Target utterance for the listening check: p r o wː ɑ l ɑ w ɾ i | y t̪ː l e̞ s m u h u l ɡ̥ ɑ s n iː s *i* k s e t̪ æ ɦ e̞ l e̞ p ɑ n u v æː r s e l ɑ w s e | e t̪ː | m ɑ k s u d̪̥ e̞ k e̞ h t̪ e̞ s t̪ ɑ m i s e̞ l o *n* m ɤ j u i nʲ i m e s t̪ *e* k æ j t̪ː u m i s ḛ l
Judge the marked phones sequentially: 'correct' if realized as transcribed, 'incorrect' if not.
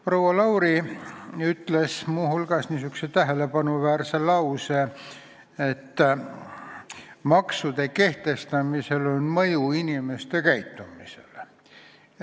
incorrect: y, correct, correct

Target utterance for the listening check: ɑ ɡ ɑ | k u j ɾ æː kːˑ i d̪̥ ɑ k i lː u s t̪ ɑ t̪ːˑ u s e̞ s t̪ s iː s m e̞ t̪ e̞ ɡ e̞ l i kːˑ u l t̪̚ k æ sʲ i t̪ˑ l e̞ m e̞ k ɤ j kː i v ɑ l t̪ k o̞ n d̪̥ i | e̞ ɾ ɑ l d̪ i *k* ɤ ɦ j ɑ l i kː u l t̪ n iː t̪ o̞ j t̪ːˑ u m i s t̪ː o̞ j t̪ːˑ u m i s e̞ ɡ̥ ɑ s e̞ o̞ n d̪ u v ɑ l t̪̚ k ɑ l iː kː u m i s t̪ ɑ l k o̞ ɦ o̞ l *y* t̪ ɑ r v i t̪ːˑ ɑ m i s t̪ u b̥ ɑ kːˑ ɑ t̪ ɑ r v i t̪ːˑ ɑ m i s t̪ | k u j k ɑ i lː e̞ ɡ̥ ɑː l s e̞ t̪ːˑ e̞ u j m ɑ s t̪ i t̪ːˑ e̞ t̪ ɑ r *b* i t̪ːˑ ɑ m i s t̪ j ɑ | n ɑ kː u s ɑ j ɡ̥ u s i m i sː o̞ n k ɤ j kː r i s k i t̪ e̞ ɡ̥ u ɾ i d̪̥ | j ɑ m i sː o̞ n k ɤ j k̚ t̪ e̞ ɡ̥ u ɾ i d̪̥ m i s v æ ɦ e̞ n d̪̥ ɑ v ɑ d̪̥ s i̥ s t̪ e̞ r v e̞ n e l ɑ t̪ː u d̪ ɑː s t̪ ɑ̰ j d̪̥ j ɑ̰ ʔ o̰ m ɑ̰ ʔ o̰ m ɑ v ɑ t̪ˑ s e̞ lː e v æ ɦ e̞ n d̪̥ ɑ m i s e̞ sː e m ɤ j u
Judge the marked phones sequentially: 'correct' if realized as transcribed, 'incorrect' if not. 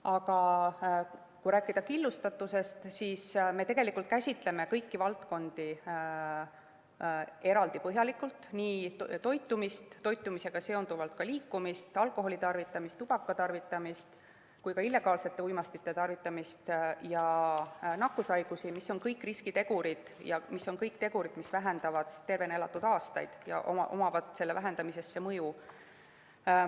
incorrect: p, incorrect: i, incorrect: v

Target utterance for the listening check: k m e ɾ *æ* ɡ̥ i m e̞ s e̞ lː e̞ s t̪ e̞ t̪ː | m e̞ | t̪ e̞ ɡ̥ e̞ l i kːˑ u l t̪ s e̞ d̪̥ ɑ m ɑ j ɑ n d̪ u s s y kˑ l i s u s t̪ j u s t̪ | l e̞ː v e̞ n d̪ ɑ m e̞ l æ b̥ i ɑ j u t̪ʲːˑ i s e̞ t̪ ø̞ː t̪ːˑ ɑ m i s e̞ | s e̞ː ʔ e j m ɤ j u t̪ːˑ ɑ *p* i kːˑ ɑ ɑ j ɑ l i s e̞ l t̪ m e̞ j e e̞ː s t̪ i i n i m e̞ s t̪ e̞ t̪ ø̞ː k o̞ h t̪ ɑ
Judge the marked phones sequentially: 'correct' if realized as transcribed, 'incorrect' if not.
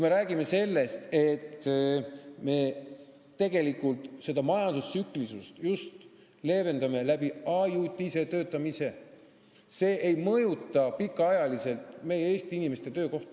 incorrect: æː, correct

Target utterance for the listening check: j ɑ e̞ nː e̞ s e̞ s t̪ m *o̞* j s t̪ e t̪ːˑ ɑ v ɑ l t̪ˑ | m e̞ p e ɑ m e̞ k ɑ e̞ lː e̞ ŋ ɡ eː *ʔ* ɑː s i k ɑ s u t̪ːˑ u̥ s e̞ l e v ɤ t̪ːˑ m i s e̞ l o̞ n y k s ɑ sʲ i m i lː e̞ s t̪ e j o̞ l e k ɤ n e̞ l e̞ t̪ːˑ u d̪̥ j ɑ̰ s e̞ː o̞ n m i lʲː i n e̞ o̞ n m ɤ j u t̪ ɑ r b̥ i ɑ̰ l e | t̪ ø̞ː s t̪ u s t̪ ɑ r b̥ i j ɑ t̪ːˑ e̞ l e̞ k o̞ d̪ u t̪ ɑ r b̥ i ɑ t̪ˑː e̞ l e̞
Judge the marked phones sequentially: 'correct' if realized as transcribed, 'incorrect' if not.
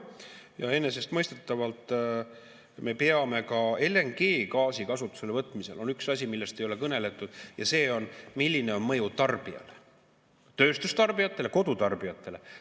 incorrect: ɤ̞, incorrect: k

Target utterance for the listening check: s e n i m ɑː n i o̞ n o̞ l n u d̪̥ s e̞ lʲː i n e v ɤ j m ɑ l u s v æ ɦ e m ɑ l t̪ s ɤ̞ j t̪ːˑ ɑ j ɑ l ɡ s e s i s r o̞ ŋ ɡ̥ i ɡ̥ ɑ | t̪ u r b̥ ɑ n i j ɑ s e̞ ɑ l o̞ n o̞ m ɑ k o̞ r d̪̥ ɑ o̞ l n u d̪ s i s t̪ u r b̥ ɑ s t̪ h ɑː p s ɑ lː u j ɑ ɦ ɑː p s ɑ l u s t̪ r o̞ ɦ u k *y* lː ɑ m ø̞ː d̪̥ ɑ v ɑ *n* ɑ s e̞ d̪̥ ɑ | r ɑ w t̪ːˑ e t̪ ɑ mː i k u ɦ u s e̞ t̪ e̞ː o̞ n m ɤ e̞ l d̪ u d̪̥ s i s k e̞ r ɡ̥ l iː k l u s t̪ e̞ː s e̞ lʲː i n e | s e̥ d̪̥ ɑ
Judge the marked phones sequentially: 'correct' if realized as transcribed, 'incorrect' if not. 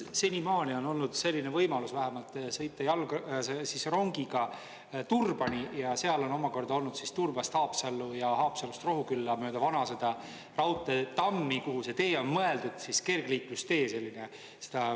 correct, correct

